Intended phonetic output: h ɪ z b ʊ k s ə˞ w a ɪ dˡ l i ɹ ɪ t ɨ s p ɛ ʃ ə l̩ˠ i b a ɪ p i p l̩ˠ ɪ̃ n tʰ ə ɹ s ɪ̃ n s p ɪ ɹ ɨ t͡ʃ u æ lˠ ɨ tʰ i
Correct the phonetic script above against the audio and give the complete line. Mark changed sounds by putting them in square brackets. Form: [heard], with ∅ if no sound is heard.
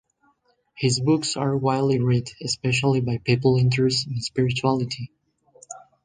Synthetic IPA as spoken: h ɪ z b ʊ k s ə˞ w a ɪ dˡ l i ɹ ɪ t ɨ s p ɛ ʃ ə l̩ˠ i b a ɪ p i p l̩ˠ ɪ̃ n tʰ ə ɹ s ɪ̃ n s p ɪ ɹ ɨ t͡ʃ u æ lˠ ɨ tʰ i